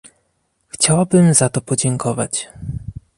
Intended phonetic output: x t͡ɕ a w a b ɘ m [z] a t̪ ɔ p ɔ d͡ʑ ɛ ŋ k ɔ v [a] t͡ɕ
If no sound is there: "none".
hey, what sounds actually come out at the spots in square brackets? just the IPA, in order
z, a

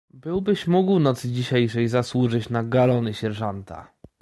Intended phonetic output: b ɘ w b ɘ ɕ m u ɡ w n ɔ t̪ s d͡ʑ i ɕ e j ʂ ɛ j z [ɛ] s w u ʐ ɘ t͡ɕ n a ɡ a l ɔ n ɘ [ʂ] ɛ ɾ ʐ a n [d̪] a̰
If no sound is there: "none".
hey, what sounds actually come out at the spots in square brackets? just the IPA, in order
a, ɕ, t̪

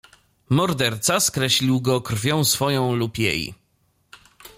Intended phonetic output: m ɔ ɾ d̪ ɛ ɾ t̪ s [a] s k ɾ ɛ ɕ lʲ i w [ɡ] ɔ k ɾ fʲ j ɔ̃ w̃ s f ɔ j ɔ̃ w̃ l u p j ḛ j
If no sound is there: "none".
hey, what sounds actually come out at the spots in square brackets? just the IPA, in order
a, ɡ

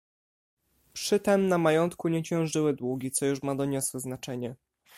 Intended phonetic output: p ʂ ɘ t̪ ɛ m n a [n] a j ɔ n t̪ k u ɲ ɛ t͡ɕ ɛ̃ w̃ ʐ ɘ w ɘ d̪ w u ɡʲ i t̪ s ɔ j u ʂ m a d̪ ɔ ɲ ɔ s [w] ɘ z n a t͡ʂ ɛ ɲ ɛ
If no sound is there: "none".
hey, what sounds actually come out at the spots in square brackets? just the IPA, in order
m, w

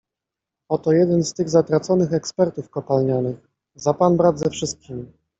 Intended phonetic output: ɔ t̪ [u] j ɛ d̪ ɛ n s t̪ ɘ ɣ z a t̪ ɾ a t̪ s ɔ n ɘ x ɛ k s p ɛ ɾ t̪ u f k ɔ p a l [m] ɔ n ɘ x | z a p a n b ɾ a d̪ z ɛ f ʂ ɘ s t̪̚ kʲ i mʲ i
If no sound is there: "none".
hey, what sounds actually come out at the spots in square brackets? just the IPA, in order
ɔ, ɲ

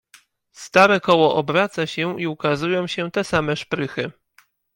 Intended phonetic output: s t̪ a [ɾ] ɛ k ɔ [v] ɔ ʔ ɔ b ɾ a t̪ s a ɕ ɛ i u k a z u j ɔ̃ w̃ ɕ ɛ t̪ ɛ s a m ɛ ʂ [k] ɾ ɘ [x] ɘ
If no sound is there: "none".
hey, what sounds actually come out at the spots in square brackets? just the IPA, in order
ɾ, w, p, x

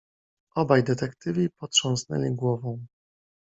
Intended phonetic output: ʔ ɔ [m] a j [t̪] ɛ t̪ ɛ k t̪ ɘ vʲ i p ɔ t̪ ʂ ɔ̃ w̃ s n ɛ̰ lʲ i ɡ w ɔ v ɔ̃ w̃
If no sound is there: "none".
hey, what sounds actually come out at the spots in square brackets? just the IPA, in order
b, d̪

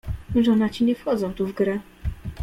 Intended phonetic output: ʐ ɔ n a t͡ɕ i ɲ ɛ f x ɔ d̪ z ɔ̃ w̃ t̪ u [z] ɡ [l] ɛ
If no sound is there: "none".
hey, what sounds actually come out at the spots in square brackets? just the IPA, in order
v, ɾ

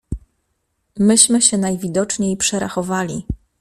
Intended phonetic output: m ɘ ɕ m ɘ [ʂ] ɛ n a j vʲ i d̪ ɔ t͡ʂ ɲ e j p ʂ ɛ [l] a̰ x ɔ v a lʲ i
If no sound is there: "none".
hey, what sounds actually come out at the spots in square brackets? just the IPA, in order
ɕ, ɾ

